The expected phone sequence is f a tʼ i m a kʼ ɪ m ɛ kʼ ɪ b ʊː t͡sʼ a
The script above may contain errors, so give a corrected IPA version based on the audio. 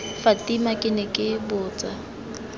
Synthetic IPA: f a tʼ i m a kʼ ɪ n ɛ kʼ ɪ b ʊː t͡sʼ a